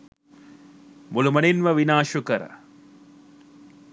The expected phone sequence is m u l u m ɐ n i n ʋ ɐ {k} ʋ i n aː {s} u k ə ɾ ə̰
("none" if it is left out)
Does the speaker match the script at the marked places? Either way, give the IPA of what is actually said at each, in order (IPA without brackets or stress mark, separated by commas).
none, ʃ